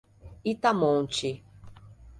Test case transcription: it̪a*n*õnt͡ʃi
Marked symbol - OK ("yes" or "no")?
no